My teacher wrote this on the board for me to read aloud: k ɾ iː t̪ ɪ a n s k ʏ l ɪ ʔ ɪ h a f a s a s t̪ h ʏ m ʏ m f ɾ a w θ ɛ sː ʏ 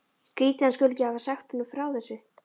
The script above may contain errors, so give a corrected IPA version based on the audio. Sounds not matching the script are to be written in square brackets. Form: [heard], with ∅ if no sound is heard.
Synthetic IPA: k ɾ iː t̪ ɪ a n s k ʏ l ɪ [c] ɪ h a [v] a s a [x] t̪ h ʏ [n] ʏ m f ɾ a w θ ɛ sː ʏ